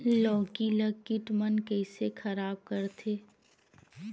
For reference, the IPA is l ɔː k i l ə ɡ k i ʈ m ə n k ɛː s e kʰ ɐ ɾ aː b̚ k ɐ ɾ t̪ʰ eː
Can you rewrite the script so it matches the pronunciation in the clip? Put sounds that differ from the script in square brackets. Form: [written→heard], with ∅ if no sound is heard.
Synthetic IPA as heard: l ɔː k i l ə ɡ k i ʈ m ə n k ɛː s e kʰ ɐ ɾ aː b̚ k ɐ ɾ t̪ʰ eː